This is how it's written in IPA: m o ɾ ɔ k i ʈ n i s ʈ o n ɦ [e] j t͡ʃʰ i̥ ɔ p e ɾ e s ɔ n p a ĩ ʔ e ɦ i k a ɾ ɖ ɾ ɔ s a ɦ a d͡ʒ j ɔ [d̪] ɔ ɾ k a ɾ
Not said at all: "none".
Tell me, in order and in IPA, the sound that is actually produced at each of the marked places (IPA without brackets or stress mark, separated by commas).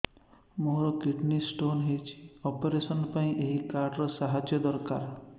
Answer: e, d̪